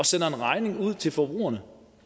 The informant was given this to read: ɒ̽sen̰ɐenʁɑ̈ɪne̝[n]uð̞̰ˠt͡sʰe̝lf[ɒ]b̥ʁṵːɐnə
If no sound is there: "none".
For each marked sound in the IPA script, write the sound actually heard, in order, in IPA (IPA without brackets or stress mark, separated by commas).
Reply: ŋ, ɒ